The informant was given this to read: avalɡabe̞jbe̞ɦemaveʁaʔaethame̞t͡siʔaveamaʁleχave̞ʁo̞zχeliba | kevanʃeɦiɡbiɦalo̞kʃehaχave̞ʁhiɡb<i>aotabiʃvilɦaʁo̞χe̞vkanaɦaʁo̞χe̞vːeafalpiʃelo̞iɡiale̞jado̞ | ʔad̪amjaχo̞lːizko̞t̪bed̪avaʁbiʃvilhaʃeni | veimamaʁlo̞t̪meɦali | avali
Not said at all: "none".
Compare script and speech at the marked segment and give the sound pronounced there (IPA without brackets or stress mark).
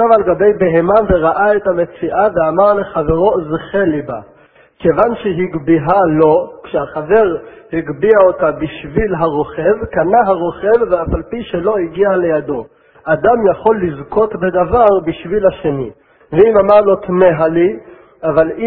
i